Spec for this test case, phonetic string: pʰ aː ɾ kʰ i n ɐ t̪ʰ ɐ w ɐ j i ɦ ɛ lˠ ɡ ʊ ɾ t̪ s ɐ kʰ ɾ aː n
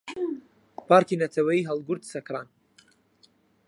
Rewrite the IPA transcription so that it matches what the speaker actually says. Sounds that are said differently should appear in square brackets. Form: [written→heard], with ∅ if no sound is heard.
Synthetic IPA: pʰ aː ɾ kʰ i n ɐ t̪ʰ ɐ w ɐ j i ɦ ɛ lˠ ɡ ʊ ɾ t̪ s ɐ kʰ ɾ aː n